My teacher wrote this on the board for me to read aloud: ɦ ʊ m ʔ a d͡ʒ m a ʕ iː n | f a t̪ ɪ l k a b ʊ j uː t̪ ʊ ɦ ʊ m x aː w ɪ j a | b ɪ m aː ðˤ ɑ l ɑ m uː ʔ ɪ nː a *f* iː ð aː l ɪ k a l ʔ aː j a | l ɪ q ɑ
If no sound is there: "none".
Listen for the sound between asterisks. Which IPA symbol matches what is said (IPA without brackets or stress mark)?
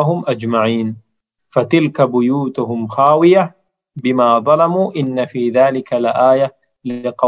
f